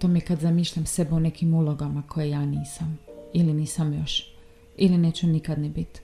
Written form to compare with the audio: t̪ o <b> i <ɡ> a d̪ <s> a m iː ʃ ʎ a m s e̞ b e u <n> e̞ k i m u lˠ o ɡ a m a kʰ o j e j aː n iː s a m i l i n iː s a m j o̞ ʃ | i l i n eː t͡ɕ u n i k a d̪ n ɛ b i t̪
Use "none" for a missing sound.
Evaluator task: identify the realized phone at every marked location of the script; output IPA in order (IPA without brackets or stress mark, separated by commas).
m, k, z, n